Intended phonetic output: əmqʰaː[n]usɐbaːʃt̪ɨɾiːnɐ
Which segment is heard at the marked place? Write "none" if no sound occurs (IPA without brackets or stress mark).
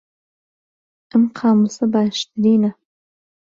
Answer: m